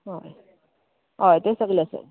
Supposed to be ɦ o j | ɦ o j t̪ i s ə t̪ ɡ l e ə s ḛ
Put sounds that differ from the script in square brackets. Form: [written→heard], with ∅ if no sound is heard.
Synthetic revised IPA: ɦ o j | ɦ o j t̪ [i→e] s ə [t̪→∅] ɡ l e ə s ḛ